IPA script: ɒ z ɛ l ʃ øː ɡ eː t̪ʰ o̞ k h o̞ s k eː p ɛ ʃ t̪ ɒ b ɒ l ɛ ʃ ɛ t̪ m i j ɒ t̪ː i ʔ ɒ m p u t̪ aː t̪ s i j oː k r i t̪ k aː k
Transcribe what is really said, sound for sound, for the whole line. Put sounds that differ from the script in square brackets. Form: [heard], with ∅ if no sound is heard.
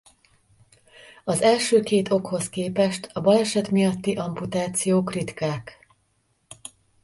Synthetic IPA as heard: ɒ z ɛ l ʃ øː [k] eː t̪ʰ o̞ k h o̞ s k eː p ɛ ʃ t̪ ɒ b ɒ l ɛ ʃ ɛ t̪ m i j ɒ t̪ː i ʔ ɒ m p u t̪ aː t̪ s i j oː k r i t̪ k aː k